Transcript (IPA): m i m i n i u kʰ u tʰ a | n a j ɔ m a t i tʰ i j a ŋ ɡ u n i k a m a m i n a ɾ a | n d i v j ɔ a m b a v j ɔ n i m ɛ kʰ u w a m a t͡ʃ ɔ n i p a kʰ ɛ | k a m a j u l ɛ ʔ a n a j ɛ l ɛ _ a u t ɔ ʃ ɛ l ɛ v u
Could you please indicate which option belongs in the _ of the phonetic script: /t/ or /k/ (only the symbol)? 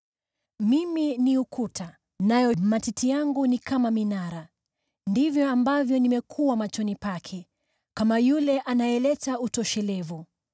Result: t